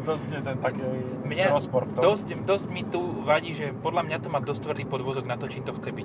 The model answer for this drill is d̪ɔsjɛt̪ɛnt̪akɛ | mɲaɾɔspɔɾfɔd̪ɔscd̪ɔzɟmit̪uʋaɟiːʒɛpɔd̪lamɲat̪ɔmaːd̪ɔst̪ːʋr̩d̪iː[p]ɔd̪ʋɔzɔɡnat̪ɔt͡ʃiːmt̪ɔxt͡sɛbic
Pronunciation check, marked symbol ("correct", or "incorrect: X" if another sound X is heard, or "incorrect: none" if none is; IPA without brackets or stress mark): correct